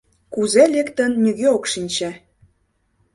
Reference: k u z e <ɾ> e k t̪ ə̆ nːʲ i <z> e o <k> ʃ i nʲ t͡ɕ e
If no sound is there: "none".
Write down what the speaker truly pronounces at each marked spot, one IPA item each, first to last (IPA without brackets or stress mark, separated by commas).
l, ɣ, k